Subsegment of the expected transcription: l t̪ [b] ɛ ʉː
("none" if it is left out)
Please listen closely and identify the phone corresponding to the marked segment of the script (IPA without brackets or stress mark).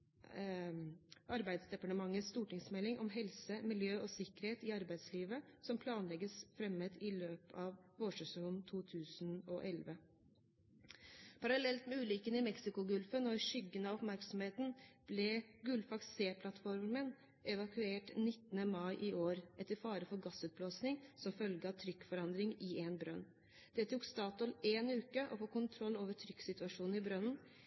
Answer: m